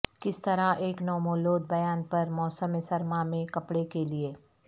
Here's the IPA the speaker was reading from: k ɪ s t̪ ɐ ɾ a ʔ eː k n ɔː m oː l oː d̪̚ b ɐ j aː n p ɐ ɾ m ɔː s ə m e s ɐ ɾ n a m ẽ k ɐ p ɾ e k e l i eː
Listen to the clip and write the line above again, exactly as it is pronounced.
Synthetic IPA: k ɪ s t̪ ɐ ɾ a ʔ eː k n ɔː m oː l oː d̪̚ b ɐ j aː n p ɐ ɾ m ɔː s ə m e s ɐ ɾ m a m ẽ k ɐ p ɽ e k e l i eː